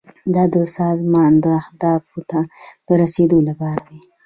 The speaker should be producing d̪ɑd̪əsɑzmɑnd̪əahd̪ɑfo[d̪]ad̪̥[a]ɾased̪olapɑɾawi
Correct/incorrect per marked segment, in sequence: incorrect: t̪, incorrect: ə

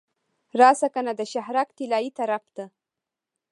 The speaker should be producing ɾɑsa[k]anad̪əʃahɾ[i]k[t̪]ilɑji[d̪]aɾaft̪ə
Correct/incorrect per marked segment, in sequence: correct, incorrect: a, correct, incorrect: t̪

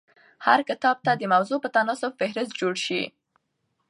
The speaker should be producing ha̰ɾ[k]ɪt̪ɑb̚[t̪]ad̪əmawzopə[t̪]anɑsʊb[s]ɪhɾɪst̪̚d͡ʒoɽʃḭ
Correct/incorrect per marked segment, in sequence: correct, correct, correct, incorrect: f

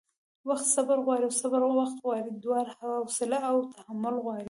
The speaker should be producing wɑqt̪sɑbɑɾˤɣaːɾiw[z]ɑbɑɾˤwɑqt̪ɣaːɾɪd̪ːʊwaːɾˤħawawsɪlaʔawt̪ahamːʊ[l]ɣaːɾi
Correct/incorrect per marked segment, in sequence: incorrect: s, correct

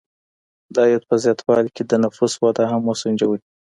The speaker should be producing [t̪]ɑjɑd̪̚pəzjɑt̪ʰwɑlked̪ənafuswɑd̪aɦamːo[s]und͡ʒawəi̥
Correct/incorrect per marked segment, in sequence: incorrect: d̪, correct

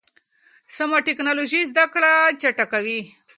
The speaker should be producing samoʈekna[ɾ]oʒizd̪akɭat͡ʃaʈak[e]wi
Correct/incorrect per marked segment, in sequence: incorrect: l, incorrect: a

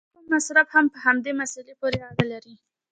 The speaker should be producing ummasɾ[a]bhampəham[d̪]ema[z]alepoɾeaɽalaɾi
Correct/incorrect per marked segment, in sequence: correct, correct, incorrect: s

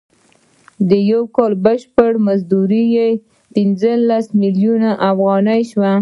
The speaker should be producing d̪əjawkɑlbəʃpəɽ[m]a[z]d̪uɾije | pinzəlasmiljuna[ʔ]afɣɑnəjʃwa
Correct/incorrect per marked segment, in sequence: correct, correct, correct

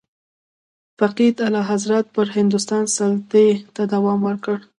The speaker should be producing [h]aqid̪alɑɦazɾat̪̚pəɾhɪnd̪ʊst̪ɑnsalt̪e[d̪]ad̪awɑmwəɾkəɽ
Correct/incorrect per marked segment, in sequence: incorrect: f, incorrect: t̪

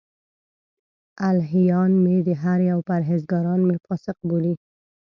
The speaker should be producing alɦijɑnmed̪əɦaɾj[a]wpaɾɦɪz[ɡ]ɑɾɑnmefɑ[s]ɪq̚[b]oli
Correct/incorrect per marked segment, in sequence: correct, correct, correct, correct

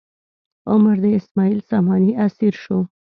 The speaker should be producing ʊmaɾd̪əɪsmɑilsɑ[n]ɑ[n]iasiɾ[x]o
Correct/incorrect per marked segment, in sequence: incorrect: m, correct, incorrect: ʃ

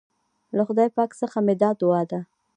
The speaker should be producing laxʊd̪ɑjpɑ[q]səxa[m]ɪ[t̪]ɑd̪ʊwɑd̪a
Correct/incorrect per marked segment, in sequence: incorrect: k, correct, incorrect: d̪

